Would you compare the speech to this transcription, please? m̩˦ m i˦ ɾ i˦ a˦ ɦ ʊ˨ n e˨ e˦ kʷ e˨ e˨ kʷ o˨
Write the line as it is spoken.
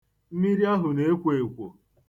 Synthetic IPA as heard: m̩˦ m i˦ ɾ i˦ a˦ ɦ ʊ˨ n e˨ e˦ kʷ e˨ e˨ kʷ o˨